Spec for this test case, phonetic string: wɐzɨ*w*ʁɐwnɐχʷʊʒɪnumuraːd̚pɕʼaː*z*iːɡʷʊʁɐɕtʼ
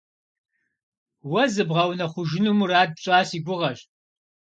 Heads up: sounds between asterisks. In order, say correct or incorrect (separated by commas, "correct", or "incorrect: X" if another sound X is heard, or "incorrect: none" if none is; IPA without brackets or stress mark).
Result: incorrect: b, incorrect: s